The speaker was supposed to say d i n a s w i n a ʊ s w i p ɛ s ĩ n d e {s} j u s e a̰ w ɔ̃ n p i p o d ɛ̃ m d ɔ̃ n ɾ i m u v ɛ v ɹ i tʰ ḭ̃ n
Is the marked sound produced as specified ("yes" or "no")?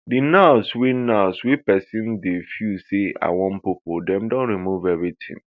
no